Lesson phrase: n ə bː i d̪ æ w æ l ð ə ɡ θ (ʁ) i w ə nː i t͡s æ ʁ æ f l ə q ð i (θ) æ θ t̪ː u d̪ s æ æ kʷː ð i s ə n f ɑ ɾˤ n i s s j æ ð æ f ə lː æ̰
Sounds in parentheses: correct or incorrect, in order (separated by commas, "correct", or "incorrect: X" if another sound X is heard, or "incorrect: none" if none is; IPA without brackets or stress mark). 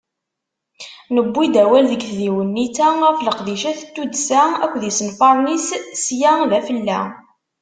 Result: incorrect: ð, incorrect: ʃ